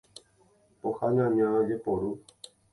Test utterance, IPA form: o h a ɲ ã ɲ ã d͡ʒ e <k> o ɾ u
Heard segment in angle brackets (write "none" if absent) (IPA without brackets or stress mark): p